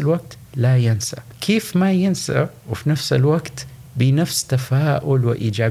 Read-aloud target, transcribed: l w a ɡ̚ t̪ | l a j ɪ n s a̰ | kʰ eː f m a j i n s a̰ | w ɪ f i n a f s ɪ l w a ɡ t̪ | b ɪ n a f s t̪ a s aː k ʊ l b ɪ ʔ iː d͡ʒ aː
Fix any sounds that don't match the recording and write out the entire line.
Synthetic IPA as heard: l w a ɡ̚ t̪ | l a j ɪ n s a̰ | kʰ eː f m a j ɪ n s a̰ | w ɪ f i n a f s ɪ l w a ɡ t̪ | b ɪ n a f s t̪ a f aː ʔ ʊ l w ɪ ʔ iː d͡ʒ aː